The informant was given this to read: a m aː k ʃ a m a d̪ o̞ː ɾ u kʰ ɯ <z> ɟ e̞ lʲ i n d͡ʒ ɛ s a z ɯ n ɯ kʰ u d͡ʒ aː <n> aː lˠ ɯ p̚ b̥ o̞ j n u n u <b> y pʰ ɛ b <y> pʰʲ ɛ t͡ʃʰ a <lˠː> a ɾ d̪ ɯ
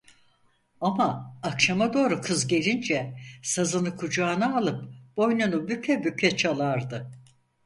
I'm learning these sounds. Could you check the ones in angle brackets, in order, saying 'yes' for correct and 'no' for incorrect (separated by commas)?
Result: yes, yes, yes, yes, no